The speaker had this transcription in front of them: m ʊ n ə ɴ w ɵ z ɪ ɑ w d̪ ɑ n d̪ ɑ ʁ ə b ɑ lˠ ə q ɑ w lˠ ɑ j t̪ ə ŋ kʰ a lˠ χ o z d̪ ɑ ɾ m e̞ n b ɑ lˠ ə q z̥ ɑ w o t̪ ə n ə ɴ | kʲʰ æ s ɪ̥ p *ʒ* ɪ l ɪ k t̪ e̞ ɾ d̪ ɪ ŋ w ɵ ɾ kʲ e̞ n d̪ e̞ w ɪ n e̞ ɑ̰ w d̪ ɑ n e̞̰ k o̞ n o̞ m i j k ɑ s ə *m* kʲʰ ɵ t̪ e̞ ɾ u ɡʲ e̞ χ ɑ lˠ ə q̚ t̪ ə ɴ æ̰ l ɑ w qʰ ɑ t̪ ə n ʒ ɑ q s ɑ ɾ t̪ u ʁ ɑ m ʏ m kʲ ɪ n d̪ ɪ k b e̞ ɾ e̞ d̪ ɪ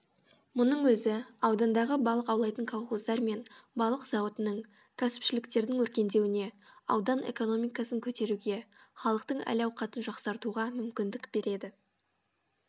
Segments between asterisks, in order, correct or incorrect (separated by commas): incorrect, incorrect